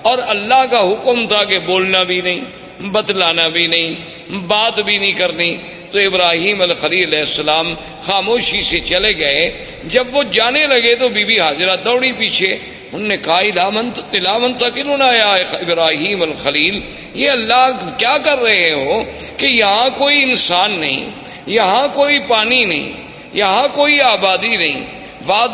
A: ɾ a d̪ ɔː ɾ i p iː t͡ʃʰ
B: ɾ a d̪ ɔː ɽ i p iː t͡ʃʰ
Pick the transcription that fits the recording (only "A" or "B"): B